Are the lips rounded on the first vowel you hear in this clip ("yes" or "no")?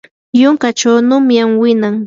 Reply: yes